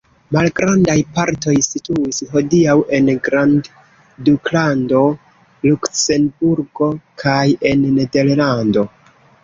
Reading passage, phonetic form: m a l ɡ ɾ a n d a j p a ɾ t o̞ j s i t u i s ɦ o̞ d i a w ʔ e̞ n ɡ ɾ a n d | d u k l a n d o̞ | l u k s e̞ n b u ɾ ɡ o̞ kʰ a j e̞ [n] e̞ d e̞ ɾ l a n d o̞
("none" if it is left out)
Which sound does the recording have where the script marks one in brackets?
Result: nː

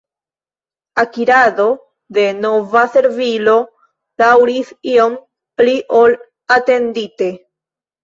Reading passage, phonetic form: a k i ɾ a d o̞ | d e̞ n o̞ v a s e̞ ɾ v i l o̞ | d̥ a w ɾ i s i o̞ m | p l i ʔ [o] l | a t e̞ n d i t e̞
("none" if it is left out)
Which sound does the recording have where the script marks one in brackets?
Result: o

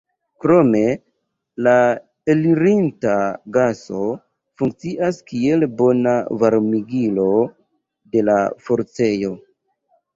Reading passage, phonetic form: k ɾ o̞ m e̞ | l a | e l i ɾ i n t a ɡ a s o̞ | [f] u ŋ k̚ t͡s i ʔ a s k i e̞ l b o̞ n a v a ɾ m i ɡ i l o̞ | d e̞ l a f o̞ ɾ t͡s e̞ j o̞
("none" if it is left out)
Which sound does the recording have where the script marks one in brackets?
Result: f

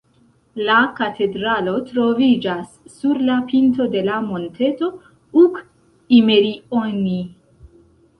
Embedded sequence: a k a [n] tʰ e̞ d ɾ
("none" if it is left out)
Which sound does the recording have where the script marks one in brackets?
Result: none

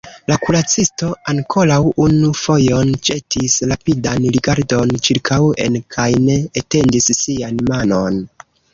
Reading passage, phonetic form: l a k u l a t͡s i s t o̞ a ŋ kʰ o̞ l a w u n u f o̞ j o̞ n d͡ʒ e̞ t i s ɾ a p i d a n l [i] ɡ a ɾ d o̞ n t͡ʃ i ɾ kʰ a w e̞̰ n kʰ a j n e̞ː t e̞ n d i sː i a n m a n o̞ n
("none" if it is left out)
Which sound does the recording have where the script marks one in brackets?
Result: i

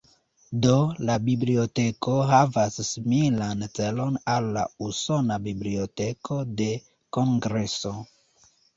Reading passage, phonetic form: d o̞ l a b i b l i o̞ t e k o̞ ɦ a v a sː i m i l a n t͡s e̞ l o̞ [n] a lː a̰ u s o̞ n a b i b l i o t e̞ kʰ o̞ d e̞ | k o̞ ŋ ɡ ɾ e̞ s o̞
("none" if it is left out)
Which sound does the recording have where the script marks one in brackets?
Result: n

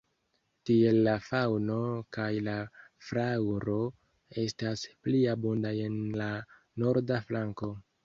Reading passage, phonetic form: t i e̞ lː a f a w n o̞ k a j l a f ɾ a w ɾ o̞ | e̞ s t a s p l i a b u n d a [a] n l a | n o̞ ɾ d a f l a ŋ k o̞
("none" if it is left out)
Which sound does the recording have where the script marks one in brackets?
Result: e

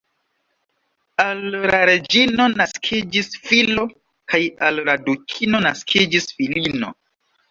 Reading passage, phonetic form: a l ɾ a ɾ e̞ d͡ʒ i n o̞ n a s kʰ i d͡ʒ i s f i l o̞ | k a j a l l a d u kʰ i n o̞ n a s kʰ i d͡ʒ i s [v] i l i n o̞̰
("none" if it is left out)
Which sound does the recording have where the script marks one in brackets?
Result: f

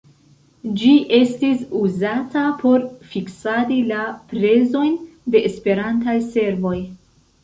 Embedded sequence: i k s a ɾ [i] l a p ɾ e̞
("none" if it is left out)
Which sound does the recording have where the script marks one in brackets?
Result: i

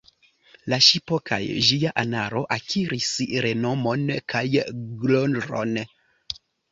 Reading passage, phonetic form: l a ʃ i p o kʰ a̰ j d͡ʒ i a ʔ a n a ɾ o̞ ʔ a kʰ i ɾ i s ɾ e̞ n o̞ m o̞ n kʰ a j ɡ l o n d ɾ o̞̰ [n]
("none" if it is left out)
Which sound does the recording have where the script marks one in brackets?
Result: n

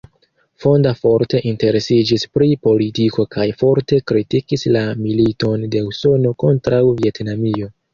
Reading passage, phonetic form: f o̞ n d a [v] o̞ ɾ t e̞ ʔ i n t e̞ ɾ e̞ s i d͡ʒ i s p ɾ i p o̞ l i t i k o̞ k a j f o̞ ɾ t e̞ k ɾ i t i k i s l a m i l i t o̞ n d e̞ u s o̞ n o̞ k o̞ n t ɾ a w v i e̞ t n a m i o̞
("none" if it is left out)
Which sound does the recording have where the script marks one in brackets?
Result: f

